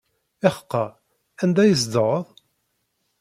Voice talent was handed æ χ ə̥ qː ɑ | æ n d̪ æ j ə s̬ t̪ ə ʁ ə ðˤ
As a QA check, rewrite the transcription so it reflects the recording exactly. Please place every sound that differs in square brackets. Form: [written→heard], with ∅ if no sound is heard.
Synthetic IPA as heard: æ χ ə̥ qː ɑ | æ n d̪ æ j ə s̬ [t̪→d̪] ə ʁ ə ðˤ